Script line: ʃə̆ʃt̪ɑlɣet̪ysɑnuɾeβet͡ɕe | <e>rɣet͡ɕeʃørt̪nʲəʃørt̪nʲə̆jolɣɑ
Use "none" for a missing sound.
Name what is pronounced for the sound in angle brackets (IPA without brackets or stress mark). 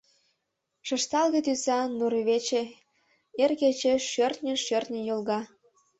e